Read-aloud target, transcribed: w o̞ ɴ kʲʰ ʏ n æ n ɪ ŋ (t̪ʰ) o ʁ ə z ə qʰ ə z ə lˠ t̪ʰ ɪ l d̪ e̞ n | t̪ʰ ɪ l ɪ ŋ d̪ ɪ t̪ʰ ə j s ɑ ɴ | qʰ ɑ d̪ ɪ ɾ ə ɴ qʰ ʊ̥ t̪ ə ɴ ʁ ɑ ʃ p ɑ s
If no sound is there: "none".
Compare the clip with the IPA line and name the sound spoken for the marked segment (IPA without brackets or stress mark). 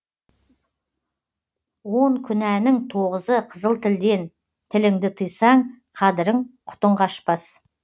t̪ʰ